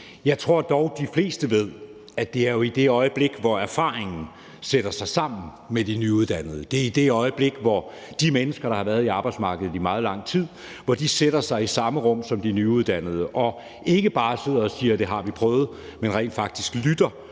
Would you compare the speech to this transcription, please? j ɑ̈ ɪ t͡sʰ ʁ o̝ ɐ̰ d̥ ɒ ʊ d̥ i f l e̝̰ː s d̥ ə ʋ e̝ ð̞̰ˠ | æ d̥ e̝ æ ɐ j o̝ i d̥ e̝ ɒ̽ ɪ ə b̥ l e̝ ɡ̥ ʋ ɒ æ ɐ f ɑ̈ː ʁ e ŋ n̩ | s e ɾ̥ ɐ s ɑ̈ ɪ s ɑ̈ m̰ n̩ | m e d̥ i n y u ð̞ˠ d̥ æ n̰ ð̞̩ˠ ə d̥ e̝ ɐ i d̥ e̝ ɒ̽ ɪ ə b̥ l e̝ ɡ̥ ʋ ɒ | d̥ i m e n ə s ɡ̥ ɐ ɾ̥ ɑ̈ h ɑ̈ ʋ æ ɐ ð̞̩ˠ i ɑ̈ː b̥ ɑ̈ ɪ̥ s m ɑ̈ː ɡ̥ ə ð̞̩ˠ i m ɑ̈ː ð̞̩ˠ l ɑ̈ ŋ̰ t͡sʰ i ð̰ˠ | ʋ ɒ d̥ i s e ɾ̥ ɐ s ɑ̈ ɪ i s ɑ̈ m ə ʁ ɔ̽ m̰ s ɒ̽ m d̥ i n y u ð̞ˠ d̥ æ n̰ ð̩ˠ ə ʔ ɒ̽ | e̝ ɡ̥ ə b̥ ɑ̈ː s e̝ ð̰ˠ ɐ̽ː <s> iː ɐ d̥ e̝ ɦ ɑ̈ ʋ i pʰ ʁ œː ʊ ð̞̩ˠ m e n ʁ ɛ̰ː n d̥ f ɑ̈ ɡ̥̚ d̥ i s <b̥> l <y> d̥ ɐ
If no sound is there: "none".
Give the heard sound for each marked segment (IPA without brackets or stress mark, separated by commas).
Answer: s, ɡ̥, y